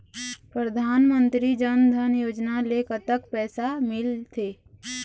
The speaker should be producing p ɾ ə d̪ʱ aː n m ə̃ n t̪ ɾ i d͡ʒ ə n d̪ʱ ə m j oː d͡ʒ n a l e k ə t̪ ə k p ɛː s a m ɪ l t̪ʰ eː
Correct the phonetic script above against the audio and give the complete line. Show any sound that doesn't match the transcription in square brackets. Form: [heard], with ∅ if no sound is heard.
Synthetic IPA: p ɾ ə d̪ʱ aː n m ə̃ n t̪ ɾ i d͡ʒ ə n d̪ʱ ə [n] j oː d͡ʒ n a l e k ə t̪ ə k p ɛː s a m ɪ l t̪ʰ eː

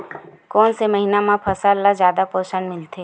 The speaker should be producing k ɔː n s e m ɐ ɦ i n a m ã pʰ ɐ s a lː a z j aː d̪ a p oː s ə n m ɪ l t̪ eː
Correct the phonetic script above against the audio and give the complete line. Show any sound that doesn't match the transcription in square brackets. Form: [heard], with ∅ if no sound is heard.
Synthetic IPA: k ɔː n s e m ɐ ɦ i n a m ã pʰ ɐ s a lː a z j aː d̪ a p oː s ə n m ɪ l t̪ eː

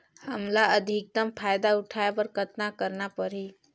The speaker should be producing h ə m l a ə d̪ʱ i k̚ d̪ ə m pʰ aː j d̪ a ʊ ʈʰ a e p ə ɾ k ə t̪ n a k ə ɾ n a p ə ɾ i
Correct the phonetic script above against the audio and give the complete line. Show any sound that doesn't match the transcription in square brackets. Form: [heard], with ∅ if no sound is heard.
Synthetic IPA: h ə m l a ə d̪ʱ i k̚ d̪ ə m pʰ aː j d̪ a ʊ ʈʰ a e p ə ɾ k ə t̪ n a k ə ɾ n a p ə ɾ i

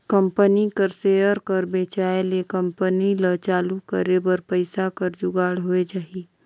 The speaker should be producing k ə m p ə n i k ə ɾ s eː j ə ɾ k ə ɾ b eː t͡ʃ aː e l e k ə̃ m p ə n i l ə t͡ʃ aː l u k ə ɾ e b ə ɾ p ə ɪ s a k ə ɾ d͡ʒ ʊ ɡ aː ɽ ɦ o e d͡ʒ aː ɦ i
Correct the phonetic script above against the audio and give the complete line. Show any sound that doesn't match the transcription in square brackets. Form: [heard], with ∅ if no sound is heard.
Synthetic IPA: k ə m p ə n i k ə ɾ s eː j ə ɾ k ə ɾ b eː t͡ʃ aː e l e k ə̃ m p ə n i l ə t͡ʃ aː l u k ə ɾ e b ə ɾ p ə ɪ s a k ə ɾ d͡ʒ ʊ ɡ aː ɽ ɦ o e d͡ʒ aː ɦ i

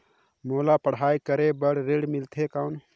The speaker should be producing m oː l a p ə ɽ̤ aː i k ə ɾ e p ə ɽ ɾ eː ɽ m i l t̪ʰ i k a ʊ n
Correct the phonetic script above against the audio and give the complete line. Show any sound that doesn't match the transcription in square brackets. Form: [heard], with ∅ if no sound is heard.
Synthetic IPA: m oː l a p ə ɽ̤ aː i k ə ɾ e [b] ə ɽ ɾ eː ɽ m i l t̪ʰ [e] k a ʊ n

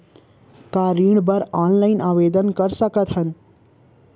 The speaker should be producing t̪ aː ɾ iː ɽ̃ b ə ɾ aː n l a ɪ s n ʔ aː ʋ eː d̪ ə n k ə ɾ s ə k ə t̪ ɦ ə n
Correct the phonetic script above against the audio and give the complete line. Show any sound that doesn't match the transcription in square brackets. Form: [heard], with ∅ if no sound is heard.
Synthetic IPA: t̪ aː ɾ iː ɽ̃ b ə ɾ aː n l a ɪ [∅] n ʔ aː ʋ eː d̪ ə n k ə ɾ s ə k ə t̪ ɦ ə n

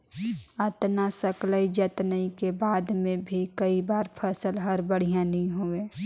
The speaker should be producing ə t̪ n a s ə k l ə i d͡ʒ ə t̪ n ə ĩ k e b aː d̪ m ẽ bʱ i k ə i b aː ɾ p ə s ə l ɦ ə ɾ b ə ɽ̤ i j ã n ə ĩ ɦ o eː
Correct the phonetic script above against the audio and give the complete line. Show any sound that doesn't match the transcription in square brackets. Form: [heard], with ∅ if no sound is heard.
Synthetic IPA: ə t̪ n a s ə k l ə i d͡ʒ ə t̪ n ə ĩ k e b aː d̪ m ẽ bʱ i k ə i b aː ɾ [pʰ] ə s ə l ɦ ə ɾ b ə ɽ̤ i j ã n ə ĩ ɦ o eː

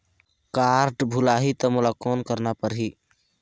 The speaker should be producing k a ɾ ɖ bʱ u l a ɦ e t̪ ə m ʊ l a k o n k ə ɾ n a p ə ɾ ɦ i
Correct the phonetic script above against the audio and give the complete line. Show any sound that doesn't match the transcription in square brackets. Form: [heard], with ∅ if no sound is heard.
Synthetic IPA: k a ɾ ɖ bʱ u l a ɦ [i] t̪ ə m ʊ l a k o n k ə ɾ n a p ə ɾ ɦ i

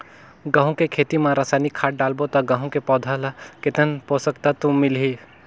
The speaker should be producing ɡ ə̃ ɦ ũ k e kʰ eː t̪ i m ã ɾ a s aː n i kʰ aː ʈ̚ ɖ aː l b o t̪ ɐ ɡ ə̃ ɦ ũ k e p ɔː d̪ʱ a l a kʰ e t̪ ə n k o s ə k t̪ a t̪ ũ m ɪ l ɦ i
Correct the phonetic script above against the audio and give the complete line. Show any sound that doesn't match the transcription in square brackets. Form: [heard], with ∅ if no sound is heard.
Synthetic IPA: ɡ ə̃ ɦ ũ k e kʰ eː t̪ i m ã ɾ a s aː n i kʰ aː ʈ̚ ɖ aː l b o t̪ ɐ ɡ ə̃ ɦ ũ k e p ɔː d̪ʱ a l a [k] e t̪ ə n [p] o s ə k t̪ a t̪ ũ m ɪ l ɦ i

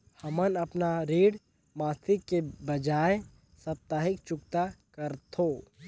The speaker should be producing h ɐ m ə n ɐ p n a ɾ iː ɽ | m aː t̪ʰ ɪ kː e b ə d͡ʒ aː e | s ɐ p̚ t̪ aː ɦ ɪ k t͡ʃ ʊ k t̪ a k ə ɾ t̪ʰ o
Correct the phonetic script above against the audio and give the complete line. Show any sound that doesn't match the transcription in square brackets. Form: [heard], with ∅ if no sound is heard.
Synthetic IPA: h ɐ m ə n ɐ p n a ɾ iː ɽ | m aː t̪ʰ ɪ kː e b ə d͡ʒ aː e | s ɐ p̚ t̪ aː ɦ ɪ k t͡ʃ ʊ k t̪ a k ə ɾ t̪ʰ o

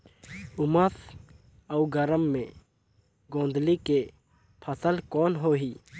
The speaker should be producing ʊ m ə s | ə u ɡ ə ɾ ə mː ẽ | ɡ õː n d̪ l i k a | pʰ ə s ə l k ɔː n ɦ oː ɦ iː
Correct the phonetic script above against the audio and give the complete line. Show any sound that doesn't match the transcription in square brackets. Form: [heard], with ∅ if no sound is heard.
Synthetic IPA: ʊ m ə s | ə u ɡ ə ɾ ə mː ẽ | ɡ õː n d̪ l i k [e] | pʰ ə s ə l k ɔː n ɦ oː ɦ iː

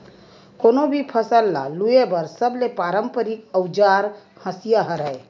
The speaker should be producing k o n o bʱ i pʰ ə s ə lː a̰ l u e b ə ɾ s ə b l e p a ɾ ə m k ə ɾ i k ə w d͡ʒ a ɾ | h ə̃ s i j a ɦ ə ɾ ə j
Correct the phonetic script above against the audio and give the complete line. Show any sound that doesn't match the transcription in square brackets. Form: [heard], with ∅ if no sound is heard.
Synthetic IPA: k o n o bʱ i pʰ ə s ə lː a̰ l u e b ə ɾ s ə b l e p a ɾ ə m [p] ə ɾ i k ə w d͡ʒ a ɾ | h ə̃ s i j a ɦ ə ɾ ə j

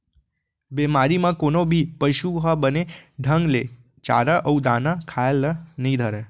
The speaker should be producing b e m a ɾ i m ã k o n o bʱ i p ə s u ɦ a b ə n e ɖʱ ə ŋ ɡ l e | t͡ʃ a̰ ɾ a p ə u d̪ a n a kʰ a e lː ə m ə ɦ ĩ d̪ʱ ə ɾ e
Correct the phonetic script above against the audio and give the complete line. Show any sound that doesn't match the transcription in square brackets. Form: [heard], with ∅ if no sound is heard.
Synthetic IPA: b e m a ɾ i m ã k o n o bʱ i p ə [ʃ] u ɦ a b ə n e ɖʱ ə ŋ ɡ l e | t͡ʃ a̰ ɾ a [ʔ] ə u d̪ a n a kʰ a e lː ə [n] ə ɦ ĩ d̪ʱ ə ɾ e

